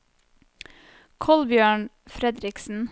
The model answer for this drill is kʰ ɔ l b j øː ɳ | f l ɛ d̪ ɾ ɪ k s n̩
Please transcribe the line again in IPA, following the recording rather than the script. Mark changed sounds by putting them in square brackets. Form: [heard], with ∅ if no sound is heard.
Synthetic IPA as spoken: kʰ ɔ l b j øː ɳ | f [ɾ] ɛ d̪ ɾ ɪ k s n̩